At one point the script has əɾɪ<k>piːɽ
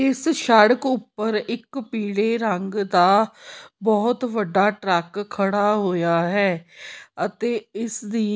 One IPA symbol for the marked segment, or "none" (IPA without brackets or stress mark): k